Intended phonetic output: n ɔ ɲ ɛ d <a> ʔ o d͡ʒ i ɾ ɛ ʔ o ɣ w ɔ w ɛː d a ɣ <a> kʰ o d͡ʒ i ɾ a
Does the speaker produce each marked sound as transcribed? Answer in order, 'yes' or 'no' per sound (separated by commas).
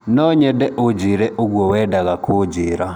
no, yes